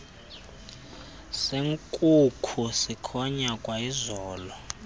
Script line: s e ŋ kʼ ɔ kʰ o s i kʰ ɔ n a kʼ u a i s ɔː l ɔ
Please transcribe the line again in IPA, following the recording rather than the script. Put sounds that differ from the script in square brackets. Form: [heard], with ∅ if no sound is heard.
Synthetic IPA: s e ŋ kʼ [u] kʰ [u] s i kʰ ɔ [ɲ] a kʼ [w] a i [z] ɔː l ɔ